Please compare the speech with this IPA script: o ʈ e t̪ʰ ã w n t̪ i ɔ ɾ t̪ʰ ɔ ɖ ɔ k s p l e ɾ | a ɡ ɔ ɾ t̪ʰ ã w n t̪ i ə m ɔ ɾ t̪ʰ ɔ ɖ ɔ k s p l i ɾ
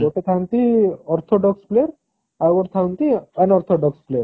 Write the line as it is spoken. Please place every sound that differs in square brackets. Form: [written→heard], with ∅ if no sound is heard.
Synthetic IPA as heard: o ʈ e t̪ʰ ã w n t̪ i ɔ ɾ t̪ʰ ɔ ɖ ɔ k s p l e ɾ | a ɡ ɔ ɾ t̪ʰ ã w n t̪ i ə [m→n] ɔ ɾ t̪ʰ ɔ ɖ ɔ k s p l [i→e] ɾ